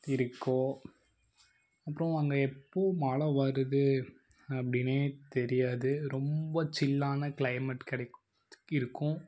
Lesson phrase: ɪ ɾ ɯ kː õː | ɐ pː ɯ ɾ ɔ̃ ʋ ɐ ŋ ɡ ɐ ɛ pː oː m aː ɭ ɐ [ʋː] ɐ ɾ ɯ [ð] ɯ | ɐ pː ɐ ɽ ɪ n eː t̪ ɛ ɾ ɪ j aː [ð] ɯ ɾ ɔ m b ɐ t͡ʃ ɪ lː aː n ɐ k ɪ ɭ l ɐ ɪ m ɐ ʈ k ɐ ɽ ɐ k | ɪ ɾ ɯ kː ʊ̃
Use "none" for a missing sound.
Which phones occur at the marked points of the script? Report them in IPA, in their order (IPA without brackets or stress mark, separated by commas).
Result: ʋ, ð, ð